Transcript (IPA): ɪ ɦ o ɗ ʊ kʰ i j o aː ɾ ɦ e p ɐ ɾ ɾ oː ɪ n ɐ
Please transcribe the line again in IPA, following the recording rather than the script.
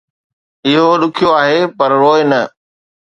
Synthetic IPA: ɪ ɦ o ɗ ʊ kʰ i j o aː ɦ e p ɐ ɾ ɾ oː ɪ n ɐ

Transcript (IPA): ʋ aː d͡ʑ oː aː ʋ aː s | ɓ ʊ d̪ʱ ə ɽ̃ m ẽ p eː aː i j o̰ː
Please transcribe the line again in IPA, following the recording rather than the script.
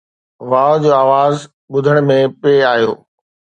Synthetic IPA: ʋ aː d͡ʑ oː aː ʋ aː z | ɓ ʊ d̪ʱ ə ɽ̃ m ẽ p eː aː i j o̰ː

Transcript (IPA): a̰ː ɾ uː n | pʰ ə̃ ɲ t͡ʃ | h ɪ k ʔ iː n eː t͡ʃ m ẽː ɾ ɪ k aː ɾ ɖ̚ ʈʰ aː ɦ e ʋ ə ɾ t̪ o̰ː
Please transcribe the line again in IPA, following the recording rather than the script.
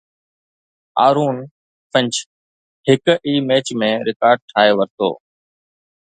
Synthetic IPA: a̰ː ɾ uː n | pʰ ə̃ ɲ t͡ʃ | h ɪ k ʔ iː m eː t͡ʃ m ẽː ɾ ɪ k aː ɾ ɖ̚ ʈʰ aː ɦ e ʋ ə ɾ t̪ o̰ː

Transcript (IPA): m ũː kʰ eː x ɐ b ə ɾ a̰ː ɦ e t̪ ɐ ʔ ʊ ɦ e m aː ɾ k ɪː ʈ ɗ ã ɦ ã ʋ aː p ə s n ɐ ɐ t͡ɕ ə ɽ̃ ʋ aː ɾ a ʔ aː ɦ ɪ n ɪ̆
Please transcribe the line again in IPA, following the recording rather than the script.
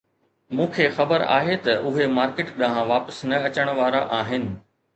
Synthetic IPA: m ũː kʰ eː x ɐ b ə ɾ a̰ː ɦ e t̪ ɐ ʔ ʊ ɦ e m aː ɾ k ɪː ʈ ɗ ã ɦ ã ʋ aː p ə s n ɐ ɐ t͡ɕ ə ɽ̃ ʋ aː ɾ a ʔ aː ɦ ɪ n ɪ̆

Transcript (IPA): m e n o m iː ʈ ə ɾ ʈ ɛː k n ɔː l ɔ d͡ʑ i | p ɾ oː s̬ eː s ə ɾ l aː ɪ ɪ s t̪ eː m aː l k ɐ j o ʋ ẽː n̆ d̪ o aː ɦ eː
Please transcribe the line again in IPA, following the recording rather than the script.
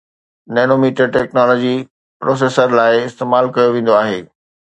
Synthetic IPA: n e n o m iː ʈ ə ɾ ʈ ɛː k n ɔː l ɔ d͡ʑ i | p ɾ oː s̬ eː s ə ɾ l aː ɪ ɪ s t̪ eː m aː l k ɐ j o ʋ ẽː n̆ d̪ o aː ɦ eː

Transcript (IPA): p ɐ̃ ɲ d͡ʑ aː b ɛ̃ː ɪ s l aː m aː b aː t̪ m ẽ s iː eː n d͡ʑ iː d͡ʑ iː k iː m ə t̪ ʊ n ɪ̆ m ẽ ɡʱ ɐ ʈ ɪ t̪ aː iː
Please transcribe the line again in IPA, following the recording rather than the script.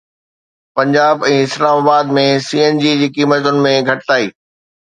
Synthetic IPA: p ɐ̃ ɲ d͡ʑ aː b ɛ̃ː ɪ s l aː m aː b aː d̪ m ẽ s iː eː n d͡ʑ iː d͡ʑ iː k iː m ə t̪ ʊ n ɪ̆ m ẽ ɡʱ ɐ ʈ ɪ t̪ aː iː

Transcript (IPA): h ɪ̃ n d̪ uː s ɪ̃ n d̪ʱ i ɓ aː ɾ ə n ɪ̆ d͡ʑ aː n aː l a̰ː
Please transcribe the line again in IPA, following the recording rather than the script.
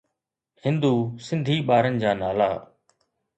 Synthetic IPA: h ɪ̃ n d̪ uː s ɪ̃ n d̪ʱ iː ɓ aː ɾ ə n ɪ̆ d͡ʑ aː n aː l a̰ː

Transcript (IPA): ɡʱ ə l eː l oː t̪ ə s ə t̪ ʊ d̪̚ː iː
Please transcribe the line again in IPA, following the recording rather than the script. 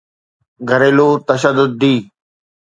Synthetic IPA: ɡʱ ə ɾ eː l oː t̪ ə ʃ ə d̪ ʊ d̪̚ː iː

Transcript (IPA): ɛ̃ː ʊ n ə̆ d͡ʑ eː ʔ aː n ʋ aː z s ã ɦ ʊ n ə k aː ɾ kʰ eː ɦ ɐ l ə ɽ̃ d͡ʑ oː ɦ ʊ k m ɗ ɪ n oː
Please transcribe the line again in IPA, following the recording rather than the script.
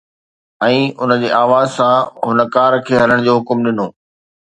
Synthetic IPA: ɛ̃ː ʊ n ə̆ d͡ʑ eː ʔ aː ʋ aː z s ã ɦ ʊ n ə k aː ɾ kʰ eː ɦ ɐ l ə ɽ̃ d͡ʑ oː ɦ ʊ k m ɗ ɪ n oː

